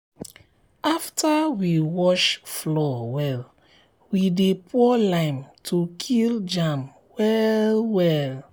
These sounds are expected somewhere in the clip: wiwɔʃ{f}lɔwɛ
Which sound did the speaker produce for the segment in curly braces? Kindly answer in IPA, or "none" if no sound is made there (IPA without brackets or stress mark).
f